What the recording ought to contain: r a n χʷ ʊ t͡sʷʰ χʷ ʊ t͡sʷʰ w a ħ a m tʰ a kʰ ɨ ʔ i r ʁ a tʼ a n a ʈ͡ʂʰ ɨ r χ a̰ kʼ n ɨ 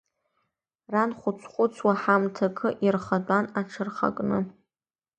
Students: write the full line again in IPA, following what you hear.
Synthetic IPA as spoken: r a n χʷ ʊ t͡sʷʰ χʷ ʊ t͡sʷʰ w a ħ a m tʰ a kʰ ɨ ʔ i r χ a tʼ a n a ʈ͡ʂʰ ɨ r χ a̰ kʼ n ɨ